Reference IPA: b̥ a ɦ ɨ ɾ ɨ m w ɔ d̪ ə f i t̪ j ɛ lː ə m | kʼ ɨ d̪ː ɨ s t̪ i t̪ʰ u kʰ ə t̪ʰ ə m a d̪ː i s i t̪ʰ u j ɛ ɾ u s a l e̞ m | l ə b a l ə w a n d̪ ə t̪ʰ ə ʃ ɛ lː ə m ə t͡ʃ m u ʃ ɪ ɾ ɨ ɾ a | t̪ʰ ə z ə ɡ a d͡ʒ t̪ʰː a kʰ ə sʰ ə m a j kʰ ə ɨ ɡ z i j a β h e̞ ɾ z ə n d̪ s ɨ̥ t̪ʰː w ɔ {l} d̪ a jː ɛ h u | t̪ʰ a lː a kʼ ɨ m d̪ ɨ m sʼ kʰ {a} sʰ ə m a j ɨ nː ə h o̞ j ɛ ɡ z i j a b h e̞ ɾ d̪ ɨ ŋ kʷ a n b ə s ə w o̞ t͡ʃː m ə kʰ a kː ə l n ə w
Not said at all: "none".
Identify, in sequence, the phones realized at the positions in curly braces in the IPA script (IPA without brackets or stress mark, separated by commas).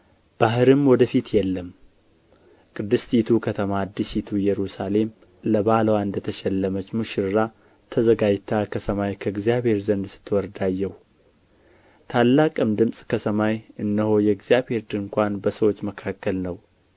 ɾ, ə